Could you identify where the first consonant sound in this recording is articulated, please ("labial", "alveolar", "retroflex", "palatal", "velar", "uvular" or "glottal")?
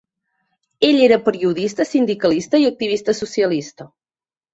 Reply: palatal